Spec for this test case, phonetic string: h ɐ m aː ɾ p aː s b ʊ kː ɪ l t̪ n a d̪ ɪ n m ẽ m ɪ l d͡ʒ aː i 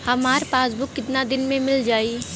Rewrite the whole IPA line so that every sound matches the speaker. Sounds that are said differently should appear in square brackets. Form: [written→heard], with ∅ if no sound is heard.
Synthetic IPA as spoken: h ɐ m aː ɾ p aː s b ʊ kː ɪ [l→∅] t̪ n a d̪ ɪ n m ẽ m ɪ l d͡ʒ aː i